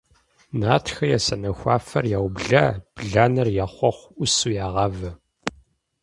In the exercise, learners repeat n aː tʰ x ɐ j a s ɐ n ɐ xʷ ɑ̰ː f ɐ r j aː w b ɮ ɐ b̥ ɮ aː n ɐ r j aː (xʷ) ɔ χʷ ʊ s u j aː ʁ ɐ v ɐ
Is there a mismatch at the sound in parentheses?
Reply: yes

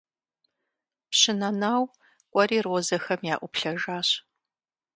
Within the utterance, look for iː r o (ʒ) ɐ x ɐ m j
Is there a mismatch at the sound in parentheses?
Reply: yes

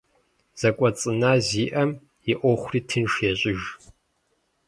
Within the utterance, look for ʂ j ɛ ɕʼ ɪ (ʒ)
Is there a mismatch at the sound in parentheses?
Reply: no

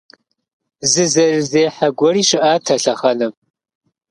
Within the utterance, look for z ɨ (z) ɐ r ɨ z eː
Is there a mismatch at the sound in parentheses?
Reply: no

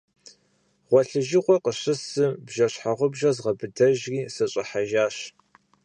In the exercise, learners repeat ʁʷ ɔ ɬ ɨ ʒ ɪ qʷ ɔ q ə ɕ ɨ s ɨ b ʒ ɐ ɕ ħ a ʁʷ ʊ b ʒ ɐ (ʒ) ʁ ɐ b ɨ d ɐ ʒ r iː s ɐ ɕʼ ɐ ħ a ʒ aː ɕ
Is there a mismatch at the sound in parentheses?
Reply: yes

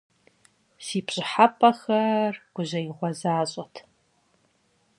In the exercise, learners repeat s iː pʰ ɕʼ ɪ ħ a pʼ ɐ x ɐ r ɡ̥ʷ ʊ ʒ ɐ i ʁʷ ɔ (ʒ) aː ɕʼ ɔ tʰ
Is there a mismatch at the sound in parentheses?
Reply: yes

